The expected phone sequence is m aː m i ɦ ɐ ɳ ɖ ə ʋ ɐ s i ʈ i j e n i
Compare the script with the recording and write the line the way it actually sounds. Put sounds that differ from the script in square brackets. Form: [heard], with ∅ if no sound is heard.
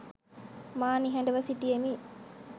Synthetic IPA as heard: m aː [n] i ɦ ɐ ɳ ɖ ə ʋ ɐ s i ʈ i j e [m] i